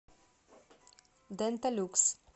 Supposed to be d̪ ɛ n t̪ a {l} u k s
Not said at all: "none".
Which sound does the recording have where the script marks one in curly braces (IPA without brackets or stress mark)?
l